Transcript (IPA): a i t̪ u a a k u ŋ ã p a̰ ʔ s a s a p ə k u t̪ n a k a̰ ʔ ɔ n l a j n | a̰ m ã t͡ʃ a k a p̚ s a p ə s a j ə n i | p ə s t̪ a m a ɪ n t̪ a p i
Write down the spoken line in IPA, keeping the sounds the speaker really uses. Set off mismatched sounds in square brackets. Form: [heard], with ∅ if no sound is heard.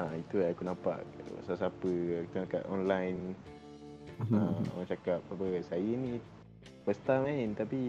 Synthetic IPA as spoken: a i t̪ u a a k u [n] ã p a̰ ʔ s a s a p ə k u t̪ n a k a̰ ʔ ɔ n l a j n | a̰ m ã t͡ʃ a k a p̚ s a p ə s a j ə n i | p ə s t̪ a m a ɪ n t̪ a p i